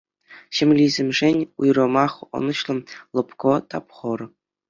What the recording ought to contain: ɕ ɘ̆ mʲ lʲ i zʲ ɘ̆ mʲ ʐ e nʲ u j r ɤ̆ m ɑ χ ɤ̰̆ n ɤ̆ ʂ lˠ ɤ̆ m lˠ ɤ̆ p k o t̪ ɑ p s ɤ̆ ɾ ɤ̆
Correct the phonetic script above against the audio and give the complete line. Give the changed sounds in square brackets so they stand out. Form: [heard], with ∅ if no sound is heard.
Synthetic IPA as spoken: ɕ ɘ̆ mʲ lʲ i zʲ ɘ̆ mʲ ʐ e nʲ u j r ɤ̆ m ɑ χ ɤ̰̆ n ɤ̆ [ɕ] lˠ ɤ̆ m lˠ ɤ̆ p k o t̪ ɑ p [χ] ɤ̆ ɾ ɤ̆